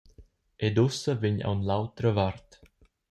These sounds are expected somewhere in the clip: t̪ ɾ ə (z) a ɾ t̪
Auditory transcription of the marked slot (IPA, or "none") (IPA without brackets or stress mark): v